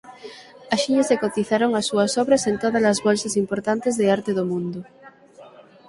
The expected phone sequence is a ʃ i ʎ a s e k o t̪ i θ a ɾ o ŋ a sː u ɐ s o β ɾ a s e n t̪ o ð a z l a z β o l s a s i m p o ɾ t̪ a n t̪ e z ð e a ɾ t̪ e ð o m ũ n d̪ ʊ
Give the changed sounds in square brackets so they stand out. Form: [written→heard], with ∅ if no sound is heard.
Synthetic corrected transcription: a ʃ i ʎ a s e k o t̪ i θ a ɾ o ŋ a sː u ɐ s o β ɾ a s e n t̪ o ð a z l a z β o l s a s i m p o ɾ t̪ a n t̪ e z ð e a ɾ t̪ e ð o m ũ n d̪ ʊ